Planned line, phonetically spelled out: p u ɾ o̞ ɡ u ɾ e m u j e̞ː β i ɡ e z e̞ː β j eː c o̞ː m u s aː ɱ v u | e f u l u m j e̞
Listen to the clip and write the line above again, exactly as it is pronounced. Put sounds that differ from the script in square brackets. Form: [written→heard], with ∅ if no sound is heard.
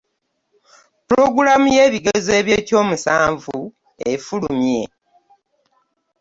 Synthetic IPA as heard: p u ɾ o̞ ɡ u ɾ [e→a] m u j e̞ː β i ɡ e z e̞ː β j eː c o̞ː m u s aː ɱ v u | e f u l u m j e̞